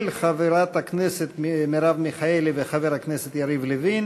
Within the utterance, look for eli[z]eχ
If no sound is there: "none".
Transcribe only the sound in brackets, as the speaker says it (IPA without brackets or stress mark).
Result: v